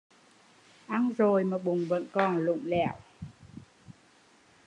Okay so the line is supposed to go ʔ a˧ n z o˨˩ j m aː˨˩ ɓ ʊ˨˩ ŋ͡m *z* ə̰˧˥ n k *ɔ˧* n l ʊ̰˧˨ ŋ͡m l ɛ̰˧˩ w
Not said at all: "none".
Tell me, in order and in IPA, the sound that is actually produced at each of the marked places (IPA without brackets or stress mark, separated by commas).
v, ɔ˨˩